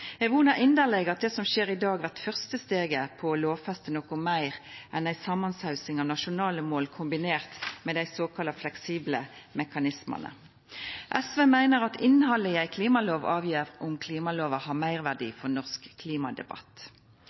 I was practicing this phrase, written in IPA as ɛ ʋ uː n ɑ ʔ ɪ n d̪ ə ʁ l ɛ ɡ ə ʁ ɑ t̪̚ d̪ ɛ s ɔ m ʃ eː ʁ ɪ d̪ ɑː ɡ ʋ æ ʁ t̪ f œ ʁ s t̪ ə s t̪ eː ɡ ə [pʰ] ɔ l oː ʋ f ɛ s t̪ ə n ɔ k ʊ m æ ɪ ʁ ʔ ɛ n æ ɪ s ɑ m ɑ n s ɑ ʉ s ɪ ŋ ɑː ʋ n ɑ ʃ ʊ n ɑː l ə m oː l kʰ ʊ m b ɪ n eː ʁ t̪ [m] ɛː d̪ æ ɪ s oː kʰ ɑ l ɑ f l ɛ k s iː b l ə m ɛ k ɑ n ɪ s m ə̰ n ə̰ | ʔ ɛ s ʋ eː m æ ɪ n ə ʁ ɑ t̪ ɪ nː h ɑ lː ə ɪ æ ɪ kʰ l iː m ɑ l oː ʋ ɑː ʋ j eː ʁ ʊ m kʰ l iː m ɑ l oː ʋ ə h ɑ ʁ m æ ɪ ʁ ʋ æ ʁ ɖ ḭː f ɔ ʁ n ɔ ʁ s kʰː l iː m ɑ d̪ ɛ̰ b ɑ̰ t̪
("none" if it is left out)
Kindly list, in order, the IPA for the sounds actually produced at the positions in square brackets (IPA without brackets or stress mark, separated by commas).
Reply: pʰ, m